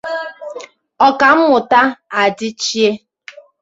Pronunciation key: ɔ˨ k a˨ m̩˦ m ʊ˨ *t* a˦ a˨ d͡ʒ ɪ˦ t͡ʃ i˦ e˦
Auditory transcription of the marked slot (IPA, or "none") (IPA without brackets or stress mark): t